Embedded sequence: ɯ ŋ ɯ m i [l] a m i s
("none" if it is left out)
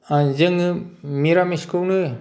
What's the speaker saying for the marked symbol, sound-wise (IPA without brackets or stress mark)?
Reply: ɾ